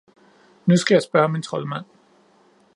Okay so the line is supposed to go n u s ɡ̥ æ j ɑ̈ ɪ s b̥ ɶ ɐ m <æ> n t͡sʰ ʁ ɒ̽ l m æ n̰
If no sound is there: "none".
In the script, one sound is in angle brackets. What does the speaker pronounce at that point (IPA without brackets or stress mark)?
i